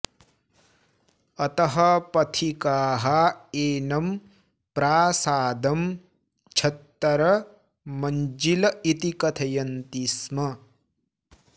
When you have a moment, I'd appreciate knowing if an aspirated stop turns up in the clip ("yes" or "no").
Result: yes